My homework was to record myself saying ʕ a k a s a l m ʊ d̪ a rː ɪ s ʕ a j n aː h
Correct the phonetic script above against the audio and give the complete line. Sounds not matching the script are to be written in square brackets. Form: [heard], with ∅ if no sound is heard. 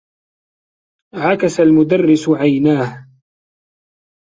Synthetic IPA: ʕ a k a s a l m ʊ d̪ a rː ɪ s ʕ a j n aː h

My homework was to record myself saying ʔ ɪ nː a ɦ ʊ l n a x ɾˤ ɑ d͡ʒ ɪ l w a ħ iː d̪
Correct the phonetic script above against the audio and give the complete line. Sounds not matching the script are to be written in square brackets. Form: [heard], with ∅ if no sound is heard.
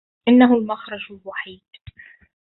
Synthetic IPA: ʔ ɪ nː a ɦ ʊ l [m] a x ɾˤ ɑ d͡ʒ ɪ l w a ħ iː d̪

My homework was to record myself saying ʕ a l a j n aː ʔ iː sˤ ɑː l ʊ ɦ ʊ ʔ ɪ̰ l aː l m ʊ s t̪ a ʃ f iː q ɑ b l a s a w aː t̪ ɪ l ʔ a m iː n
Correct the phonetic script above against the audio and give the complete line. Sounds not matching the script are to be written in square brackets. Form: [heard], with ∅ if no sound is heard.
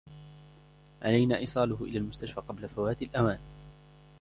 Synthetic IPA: ʕ a l a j n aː ʔ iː sˤ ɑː l ʊ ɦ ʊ ʔ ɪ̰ l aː l m ʊ s t̪ a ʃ f [aː] q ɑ b l a [f] a w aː t̪ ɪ l ʔ a m [aː] n

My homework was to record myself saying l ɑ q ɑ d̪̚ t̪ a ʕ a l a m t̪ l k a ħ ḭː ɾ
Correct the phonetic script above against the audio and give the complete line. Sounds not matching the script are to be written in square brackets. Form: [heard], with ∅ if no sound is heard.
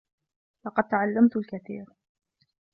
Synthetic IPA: l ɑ q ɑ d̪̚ t̪ a ʕ a [lː] a m t̪ l k a [θ] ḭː ɾ

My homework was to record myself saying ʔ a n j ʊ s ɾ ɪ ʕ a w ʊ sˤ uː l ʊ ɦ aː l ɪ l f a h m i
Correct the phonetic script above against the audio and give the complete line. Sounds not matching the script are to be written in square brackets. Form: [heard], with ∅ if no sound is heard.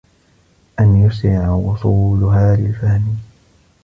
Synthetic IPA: ʔ a n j ʊ s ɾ ɪ ʕ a w ʊ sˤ uː l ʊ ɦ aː l ɪ l f a h m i

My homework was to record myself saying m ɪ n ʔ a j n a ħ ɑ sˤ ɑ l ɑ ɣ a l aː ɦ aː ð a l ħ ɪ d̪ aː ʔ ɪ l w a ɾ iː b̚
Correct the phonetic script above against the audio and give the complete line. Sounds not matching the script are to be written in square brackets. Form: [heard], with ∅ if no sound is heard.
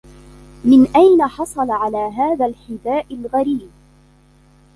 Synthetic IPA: m ɪ n ʔ a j n a ħ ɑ sˤ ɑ l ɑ [ʕ] a l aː ɦ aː ð a l ħ ɪ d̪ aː ʔ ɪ l [ɣ] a ɾ iː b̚

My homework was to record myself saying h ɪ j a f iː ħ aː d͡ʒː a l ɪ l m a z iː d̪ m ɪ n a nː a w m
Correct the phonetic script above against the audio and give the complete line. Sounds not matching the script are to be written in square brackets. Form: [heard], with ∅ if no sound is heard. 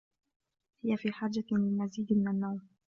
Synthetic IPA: h ɪ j a f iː ħ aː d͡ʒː a l ɪ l m a z iː d̪ m ɪ n a nː a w m

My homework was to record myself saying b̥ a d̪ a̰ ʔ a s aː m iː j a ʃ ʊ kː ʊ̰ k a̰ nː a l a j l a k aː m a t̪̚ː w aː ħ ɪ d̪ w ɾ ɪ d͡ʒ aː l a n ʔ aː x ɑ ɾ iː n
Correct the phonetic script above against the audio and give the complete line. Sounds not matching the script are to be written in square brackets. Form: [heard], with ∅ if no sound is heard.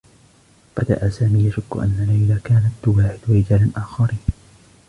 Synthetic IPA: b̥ a d̪ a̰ ʔ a s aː m iː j a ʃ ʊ kː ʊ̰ [ʔ] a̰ nː a l a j l a k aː [n] a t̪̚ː w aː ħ ɪ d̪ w ɾ ɪ d͡ʒ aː l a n ʔ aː x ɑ ɾ iː n

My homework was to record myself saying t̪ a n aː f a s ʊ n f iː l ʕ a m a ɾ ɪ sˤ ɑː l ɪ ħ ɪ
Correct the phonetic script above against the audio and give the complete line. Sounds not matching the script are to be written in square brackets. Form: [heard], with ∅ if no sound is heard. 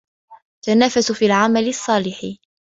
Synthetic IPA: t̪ a n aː f a s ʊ [∅] f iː l ʕ a m a [l] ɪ [sˤː] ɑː l ɪ ħ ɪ

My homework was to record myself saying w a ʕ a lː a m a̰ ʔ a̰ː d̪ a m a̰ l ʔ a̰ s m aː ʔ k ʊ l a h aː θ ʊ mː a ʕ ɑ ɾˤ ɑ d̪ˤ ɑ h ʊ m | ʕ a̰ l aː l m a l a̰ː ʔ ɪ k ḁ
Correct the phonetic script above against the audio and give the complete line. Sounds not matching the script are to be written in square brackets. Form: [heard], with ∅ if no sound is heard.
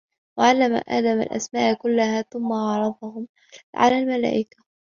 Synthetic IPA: w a ʕ a lː a m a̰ ʔ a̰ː d̪ a m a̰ l ʔ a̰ s m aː ʔ k ʊ [lː] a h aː θ ʊ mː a ʕ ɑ ɾˤ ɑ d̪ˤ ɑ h ʊ m | ʕ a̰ l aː l m a l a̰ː ʔ ɪ k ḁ

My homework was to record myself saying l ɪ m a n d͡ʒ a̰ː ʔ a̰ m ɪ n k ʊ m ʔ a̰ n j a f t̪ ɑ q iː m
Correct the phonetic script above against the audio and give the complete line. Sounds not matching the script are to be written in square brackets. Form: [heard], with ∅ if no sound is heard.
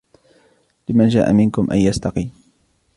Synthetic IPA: l ɪ m a n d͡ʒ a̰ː ʔ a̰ m ɪ n k ʊ m ʔ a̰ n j a [s] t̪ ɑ q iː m

